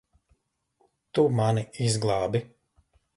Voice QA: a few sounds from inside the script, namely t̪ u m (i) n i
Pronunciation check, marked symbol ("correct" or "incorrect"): incorrect